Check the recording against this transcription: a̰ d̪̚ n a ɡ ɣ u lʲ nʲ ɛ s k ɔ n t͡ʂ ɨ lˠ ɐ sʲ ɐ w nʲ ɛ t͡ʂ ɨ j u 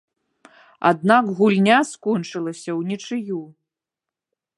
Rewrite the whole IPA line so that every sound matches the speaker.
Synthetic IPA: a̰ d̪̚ n a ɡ ɣ u lʲ nʲ a s k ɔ n t͡ʂ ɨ lˠ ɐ sʲ ɐ w nʲ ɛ t͡ʂ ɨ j u